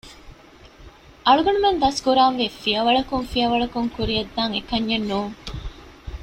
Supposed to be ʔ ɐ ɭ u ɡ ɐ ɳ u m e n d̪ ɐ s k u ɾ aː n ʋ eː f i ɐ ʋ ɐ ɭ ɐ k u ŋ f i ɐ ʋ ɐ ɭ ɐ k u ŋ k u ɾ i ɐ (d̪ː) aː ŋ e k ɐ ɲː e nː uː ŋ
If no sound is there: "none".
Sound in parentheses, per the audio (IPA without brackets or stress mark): d̪ː